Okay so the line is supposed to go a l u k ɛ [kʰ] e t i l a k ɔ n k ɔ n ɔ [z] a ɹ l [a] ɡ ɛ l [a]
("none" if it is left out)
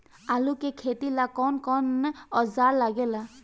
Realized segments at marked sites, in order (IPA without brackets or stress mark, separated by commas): kʰ, z, a, a